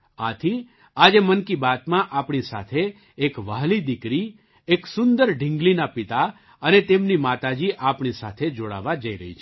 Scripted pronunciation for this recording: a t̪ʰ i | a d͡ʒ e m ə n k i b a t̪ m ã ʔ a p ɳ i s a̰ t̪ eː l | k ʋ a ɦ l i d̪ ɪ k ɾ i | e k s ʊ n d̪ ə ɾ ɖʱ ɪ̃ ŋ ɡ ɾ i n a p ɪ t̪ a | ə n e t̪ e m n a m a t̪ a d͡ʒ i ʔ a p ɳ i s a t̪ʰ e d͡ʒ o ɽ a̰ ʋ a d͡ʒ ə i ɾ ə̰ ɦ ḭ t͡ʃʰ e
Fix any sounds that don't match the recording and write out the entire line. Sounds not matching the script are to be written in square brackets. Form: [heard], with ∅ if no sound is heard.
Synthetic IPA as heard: a t̪ʰ i | a d͡ʒ e m ə n k i b a t̪ m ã ʔ a p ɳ i s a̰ [t̪ʰ] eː [∅] | k ʋ a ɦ l i d̪ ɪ k ɾ i | e k s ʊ n d̪ ə ɾ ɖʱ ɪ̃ ŋ ɡ [l] i n a p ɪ t̪ a | ə n e t̪ e m n [i] m a t̪ a d͡ʒ i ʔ a p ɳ i s a t̪ʰ e d͡ʒ o ɽ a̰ ʋ a d͡ʒ ə i ɾ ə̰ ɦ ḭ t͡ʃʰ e